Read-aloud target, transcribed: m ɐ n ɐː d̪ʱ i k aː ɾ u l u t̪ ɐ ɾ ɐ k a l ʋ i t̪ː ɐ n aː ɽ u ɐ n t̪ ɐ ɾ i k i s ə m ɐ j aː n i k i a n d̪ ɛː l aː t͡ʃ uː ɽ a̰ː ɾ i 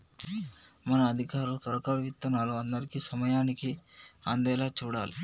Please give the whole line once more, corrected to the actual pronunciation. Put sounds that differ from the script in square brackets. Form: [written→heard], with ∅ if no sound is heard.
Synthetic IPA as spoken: m ɐ n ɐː d̪ʱ i k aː ɾ u l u t̪ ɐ ɾ ɐ k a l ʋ i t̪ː ɐ n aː [ɽ→l] u ɐ n [t̪→d̪] ɐ ɾ i k i s [ə→ɐ] m ɐ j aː n i k i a n d̪ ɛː l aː t͡ʃ uː ɽ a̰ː [ɾ→l] i